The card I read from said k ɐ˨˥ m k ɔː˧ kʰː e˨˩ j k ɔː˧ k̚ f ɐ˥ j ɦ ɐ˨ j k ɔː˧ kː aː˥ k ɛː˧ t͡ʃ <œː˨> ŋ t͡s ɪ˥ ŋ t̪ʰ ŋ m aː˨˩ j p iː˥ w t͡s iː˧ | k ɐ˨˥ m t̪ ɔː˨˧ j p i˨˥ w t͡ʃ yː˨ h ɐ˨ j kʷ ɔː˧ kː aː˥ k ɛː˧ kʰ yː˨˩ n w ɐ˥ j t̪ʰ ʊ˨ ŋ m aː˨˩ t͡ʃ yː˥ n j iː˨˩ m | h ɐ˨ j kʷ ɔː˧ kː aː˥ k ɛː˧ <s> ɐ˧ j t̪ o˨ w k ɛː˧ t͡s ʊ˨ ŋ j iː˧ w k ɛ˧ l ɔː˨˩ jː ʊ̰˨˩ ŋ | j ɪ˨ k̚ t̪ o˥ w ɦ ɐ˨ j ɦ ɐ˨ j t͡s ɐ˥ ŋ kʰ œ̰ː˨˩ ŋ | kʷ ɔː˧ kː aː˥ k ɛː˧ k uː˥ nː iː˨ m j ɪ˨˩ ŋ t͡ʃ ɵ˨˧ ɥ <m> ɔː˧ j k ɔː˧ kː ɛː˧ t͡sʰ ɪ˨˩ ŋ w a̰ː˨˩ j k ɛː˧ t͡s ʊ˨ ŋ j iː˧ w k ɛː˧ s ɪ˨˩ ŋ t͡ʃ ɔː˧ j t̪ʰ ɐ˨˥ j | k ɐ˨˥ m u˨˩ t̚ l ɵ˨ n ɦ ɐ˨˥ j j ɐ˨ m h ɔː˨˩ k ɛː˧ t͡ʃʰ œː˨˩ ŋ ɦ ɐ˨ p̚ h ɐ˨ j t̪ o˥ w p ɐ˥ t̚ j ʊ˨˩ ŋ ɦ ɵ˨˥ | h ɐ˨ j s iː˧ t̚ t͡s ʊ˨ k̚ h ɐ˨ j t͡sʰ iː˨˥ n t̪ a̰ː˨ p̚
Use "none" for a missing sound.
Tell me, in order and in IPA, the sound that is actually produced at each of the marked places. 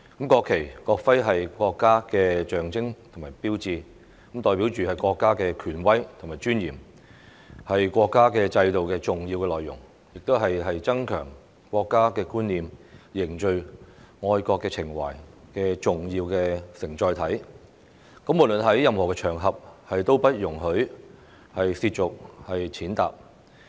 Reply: œː˨, t͡s, ŋ

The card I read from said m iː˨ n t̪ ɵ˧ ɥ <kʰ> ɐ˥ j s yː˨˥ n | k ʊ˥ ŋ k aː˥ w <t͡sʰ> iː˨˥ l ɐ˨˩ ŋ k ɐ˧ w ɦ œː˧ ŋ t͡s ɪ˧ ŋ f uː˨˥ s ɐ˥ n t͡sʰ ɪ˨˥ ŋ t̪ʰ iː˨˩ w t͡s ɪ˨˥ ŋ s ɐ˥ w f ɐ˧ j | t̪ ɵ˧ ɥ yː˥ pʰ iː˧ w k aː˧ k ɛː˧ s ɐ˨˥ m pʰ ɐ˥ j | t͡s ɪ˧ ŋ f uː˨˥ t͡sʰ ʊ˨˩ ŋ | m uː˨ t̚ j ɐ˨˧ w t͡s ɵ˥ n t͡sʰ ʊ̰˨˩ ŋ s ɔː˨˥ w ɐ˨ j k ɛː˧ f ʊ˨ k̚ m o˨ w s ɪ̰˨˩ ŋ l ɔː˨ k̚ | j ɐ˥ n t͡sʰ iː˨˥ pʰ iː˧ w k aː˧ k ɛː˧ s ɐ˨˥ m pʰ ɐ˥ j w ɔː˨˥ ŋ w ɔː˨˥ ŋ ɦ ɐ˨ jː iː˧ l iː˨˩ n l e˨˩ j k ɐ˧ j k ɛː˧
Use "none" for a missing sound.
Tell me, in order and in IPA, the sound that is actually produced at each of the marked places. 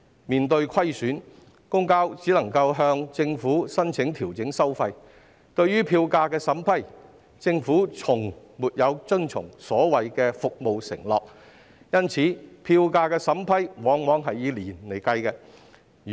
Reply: kʰ, t͡s

